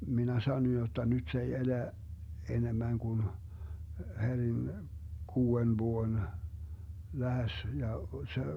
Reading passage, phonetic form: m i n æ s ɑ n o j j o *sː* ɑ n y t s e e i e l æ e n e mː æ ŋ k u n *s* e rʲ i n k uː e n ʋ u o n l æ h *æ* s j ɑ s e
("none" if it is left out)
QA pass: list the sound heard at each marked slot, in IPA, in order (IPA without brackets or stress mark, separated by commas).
tː, h, e